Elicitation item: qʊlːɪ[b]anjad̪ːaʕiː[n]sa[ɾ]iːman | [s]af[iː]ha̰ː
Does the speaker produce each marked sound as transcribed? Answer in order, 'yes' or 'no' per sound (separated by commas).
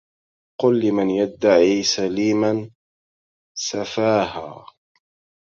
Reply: no, no, no, yes, no